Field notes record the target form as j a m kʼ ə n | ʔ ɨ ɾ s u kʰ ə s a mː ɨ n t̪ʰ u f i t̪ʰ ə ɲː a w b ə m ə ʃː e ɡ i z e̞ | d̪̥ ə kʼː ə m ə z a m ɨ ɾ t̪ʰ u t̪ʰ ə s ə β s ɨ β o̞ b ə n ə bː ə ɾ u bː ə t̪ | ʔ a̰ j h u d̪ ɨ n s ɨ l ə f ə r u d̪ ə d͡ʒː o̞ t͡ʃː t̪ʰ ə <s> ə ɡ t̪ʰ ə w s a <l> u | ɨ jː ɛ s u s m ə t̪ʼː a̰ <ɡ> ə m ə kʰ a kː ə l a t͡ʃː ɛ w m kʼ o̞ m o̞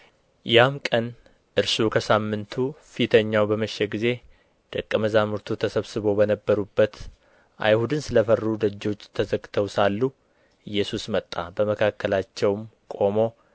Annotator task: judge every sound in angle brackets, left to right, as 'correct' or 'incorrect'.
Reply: incorrect, incorrect, incorrect

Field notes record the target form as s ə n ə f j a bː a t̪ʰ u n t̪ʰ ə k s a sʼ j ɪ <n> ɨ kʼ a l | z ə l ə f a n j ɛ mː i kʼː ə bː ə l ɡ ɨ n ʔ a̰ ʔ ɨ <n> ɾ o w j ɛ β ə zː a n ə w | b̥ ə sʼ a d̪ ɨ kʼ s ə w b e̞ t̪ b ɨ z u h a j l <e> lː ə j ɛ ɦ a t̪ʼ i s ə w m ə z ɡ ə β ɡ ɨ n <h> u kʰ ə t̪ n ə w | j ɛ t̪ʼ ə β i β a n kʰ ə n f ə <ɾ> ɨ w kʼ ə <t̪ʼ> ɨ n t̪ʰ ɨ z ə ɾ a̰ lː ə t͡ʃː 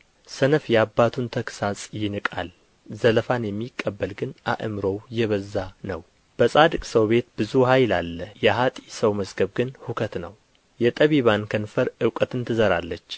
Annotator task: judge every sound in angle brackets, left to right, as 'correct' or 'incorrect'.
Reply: correct, incorrect, incorrect, correct, correct, incorrect

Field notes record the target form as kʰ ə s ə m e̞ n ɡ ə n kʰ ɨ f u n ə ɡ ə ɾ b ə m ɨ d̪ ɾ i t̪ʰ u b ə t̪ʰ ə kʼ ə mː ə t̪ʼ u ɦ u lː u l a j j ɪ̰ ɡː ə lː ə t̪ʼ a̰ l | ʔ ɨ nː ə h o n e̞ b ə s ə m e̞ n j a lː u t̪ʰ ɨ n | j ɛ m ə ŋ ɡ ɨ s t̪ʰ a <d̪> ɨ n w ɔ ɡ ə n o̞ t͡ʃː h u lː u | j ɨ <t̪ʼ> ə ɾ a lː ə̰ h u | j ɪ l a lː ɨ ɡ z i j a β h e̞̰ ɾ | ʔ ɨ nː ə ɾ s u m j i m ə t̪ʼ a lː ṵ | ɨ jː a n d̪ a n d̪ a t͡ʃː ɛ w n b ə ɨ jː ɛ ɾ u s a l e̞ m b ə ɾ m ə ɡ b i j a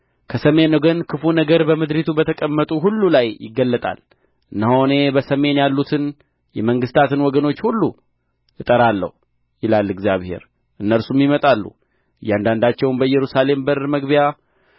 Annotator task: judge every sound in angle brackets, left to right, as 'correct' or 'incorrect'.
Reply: incorrect, correct

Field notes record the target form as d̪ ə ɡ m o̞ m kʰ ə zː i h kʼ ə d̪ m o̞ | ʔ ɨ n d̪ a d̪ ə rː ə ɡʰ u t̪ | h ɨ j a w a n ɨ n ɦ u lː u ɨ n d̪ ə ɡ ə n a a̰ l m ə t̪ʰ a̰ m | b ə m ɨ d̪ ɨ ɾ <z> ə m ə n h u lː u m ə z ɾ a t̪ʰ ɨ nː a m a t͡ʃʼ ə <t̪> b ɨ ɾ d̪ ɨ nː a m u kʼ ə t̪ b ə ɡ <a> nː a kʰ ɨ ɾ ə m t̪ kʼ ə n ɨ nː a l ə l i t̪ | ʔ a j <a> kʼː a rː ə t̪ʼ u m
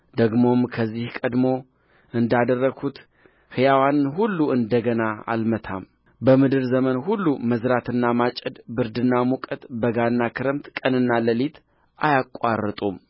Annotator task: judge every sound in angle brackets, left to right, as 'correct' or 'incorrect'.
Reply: correct, incorrect, correct, correct

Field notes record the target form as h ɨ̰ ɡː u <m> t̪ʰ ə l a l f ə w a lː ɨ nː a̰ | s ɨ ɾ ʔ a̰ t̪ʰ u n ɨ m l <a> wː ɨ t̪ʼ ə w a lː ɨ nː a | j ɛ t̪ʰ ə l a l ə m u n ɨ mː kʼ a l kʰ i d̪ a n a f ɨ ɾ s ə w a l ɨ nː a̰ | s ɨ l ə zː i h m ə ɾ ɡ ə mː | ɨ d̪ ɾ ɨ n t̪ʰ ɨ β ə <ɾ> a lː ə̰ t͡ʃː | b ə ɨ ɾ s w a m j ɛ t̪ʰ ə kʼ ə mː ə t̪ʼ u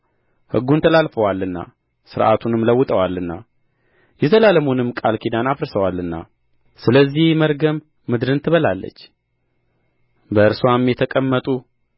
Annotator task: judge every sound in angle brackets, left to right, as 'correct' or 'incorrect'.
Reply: incorrect, incorrect, incorrect

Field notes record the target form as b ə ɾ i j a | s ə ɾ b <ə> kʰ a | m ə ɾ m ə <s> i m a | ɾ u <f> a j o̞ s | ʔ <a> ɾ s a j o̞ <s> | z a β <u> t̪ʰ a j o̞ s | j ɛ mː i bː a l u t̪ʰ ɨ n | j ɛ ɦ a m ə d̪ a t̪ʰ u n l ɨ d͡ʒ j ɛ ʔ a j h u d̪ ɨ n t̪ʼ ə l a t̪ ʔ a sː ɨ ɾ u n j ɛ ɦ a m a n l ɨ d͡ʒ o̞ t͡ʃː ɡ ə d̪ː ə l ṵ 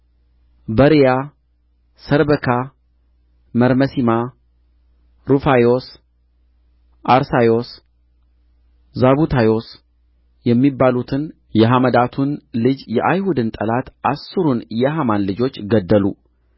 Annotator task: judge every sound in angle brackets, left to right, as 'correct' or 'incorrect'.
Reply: correct, correct, correct, correct, correct, correct

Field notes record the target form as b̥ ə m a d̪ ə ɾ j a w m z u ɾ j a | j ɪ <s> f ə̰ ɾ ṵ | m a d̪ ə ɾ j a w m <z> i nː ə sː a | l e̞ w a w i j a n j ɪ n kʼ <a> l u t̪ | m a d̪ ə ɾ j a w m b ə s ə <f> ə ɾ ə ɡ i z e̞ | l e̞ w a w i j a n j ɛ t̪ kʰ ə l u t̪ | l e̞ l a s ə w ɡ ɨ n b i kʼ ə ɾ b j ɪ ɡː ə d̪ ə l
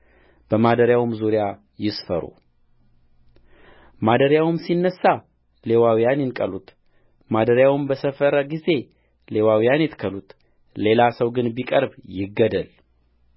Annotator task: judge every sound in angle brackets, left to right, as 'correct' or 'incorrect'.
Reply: correct, incorrect, incorrect, correct

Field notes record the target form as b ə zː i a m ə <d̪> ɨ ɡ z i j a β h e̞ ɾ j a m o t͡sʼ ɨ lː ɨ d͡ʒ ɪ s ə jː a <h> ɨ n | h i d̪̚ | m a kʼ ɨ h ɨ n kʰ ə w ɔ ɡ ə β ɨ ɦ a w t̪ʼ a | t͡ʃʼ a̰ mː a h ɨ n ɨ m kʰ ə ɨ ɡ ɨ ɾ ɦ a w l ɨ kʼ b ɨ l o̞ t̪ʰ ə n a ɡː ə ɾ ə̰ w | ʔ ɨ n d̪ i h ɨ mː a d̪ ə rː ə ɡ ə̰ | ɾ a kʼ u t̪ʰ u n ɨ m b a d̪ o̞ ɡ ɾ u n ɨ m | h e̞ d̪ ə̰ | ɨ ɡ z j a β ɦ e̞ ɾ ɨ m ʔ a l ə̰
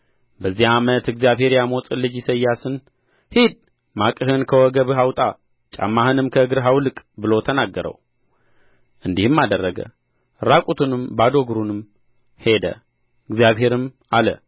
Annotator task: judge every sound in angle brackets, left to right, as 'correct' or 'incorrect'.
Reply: incorrect, incorrect

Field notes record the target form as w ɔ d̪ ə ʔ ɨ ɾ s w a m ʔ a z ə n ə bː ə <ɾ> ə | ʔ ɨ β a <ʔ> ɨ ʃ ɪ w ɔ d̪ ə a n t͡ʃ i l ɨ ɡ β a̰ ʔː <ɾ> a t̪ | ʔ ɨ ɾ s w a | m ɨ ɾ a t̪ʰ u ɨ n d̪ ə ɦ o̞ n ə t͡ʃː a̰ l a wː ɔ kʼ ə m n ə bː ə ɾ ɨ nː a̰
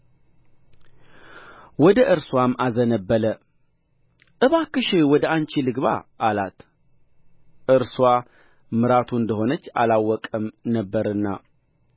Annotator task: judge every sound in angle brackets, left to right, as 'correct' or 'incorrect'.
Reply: incorrect, incorrect, incorrect

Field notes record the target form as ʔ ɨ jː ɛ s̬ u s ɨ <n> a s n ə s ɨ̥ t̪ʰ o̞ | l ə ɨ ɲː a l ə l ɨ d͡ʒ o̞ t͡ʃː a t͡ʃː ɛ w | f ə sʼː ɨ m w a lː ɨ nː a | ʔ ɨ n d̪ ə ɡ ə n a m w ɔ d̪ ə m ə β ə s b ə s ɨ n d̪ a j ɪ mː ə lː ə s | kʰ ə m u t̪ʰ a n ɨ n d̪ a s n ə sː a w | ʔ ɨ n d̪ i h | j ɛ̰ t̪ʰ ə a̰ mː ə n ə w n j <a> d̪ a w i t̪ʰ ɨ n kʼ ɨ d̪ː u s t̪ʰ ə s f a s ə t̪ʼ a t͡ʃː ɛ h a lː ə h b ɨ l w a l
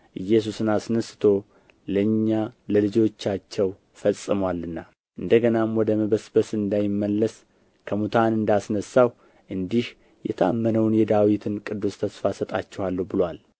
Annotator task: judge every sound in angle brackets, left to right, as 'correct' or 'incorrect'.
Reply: correct, incorrect

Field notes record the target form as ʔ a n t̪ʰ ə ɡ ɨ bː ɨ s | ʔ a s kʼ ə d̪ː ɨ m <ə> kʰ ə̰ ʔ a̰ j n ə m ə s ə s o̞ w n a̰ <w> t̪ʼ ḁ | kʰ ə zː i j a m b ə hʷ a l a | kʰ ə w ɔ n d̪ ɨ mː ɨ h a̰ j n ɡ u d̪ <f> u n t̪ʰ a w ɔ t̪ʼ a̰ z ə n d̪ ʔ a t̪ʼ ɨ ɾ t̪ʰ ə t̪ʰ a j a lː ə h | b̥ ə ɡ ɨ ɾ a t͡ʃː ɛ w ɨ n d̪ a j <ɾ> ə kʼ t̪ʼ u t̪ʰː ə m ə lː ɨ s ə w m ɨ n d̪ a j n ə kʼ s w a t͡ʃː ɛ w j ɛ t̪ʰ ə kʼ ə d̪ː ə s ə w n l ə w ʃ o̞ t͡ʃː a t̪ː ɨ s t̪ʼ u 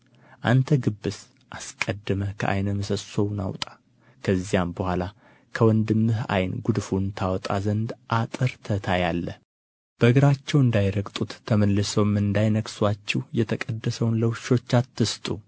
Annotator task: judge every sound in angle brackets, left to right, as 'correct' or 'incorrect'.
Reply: correct, correct, correct, correct

